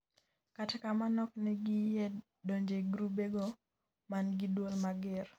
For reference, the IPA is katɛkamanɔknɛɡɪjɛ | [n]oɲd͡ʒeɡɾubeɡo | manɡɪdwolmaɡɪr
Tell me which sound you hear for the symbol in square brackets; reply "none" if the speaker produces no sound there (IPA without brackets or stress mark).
d